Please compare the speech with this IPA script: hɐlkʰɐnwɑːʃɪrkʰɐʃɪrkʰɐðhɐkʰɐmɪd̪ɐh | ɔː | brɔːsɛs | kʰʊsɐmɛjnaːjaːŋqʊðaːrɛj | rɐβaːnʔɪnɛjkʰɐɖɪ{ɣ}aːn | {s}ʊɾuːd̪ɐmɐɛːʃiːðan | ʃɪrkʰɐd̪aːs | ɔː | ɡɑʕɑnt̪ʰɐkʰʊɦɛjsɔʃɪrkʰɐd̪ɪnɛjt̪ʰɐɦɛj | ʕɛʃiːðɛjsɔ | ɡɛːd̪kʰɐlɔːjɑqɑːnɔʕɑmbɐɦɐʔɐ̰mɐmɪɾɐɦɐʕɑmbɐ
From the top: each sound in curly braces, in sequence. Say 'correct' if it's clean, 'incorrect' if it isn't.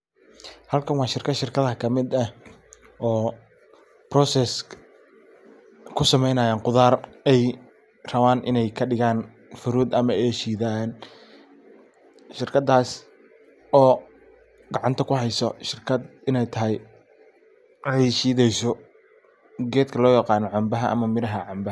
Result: correct, incorrect: f

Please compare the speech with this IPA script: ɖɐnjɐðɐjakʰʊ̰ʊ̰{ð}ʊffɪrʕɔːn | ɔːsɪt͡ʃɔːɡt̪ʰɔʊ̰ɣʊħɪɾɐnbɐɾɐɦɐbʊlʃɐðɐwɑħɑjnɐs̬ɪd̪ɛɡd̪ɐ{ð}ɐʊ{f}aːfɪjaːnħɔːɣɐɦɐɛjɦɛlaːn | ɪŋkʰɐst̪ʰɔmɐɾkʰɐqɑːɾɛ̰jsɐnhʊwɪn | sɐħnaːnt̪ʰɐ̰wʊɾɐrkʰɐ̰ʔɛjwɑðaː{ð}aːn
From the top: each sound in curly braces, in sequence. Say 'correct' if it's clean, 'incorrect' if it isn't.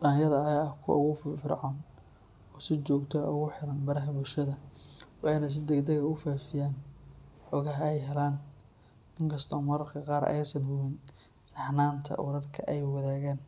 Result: incorrect: ɣ, incorrect: ɣ, correct, incorrect: ɣ

